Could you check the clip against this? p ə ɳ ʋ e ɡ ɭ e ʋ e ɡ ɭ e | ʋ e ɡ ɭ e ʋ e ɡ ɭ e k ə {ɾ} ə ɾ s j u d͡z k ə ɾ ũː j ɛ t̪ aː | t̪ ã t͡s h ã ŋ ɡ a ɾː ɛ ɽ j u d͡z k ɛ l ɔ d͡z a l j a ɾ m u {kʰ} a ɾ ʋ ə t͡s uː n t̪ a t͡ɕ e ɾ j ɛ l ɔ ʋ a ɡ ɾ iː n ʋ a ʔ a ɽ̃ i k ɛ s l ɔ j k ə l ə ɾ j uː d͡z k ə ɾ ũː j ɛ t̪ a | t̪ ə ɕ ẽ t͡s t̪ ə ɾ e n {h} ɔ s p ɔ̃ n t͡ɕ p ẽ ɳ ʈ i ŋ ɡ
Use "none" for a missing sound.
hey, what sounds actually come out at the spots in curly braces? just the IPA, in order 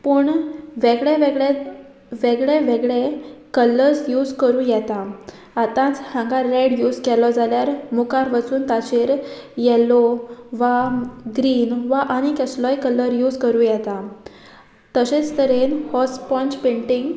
l, k, h

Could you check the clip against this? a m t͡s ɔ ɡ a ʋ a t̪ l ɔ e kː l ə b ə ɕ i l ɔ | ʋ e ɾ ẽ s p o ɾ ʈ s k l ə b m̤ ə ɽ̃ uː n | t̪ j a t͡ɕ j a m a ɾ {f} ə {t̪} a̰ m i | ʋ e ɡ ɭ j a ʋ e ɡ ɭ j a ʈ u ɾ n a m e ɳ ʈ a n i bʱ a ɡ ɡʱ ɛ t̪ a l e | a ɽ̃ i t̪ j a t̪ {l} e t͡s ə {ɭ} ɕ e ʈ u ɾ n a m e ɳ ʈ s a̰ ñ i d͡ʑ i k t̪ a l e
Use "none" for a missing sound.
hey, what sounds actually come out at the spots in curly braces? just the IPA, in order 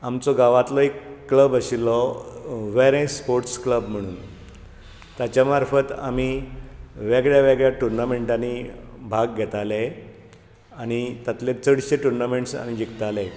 f, t̪, l, ɽ

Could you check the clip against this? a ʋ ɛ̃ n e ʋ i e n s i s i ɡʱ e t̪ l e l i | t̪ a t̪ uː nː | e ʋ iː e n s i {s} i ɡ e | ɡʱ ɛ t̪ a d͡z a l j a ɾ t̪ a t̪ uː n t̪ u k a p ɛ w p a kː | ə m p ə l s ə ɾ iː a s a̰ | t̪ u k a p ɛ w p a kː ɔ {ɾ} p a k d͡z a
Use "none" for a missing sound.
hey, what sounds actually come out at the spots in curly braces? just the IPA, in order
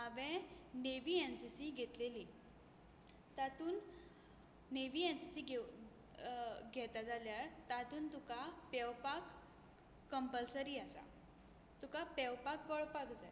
s, ɭ

